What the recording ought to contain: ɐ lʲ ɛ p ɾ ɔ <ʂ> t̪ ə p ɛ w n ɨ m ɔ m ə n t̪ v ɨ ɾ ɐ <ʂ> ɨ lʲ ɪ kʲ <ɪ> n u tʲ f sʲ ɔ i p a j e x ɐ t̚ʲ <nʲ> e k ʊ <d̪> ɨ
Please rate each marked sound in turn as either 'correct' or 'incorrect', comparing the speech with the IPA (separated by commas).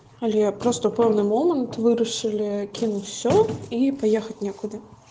incorrect, correct, incorrect, correct, correct